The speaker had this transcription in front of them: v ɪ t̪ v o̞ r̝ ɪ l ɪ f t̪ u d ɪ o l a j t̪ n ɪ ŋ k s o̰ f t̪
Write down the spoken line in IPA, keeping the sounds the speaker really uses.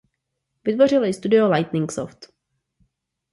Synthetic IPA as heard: v ɪ t̪ v o̞ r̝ ɪ l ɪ s t̪ u d ɪ o l a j t̪ n ɪ ŋ k s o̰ f t̪

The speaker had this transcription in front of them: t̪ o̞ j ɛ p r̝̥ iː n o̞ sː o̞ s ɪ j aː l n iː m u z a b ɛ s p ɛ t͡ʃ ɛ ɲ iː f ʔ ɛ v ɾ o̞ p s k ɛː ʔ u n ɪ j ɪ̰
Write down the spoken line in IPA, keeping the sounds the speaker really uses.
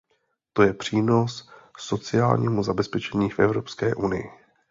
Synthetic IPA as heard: t̪ o̞ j ɛ p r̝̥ iː n o̞ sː o̞ t͡s ɪ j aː l ɲ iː m u z a b ɛ s p ɛ t͡ʃ ɛ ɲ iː f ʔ ɛ v ɾ o̞ p s k ɛː ʔ u n ɪ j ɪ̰

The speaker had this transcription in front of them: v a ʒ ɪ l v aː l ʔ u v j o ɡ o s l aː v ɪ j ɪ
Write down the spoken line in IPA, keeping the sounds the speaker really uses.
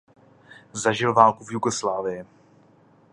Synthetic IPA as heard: z a ʒ ɪ l v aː l k u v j u ɡ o s l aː v ɪ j ɪ

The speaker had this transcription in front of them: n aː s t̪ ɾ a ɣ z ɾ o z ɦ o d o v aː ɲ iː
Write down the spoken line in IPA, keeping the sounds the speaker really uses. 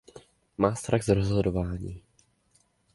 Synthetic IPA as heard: m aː s t̪ ɾ a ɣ z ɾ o z ɦ o d o v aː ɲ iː

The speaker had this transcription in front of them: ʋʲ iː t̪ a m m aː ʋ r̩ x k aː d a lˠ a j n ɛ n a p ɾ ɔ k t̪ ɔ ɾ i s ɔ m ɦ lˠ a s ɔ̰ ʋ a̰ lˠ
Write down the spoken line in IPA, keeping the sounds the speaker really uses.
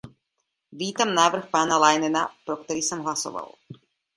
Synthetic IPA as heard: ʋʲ iː t̪ a m n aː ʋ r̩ x p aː n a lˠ a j n ɛ n a p ɾ ɔ k t̪ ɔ ɾ i s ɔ m ɦ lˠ a s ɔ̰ ʋ a̰ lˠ

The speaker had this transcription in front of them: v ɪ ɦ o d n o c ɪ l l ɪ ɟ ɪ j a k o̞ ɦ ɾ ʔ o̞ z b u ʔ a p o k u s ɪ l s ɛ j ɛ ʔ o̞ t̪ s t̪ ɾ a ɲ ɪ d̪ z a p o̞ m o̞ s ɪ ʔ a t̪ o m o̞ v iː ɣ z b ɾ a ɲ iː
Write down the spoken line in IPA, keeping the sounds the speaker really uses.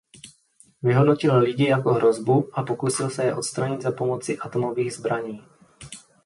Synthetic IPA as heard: v ɪ ɦ o d n o c ɪ l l ɪ ɟ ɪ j a k o̞ ɦ ɾ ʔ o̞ z b u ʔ a p o k u s ɪ l s ɛ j ɛ ʔ o̞ t̪ s t̪ ɾ a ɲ ɪ d̪ z a p o̞ m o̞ t͡s ɪ ʔ a t̪ o m o̞ v iː ɣ z b ɾ a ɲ iː

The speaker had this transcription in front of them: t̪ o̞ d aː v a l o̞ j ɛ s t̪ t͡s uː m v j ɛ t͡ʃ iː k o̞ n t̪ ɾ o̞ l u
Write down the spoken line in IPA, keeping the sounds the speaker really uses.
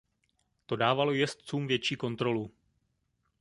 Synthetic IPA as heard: t̪ o̞ d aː v a l o̞ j ɛ s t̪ t͡s uː m v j ɛ t͡ʃ iː k o̞ n t̪ ɾ o̞ l u

